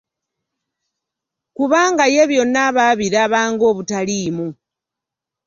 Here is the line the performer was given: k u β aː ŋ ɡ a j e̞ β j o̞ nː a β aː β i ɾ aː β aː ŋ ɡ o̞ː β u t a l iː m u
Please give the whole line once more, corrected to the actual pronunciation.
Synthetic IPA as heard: k u β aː ŋ ɡ a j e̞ β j o̞ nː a β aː β i ɾ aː β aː ŋ ɡ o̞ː β u t a l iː m u